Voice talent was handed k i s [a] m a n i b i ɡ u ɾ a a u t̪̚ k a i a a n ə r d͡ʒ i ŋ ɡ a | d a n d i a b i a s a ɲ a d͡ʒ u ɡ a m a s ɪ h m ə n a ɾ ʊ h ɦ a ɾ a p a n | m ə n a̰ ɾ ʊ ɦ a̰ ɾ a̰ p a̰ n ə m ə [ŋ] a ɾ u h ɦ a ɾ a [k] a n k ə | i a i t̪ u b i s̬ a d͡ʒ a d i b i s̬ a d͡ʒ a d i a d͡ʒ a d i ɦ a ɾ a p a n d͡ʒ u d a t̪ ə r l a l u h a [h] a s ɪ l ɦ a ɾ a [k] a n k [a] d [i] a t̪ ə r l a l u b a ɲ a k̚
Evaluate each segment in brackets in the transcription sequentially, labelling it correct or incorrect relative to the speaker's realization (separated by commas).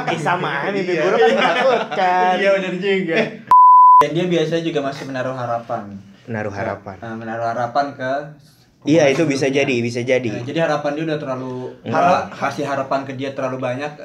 correct, incorrect, incorrect, correct, incorrect, incorrect, correct